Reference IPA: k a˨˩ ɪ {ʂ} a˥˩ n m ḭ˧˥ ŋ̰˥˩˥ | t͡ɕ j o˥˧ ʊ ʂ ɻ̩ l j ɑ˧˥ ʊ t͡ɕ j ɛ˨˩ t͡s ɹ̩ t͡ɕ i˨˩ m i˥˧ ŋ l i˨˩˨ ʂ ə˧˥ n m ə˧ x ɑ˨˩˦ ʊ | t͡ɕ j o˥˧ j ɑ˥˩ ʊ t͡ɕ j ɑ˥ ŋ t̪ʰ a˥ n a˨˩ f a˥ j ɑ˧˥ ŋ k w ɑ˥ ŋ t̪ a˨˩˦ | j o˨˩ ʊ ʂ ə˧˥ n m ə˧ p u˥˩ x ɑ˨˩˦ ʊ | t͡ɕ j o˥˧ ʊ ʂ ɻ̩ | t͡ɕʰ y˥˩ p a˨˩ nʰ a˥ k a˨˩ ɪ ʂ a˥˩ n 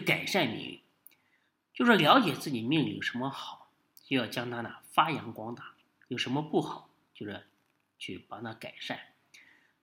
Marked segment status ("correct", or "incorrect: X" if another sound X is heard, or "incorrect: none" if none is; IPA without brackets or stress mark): correct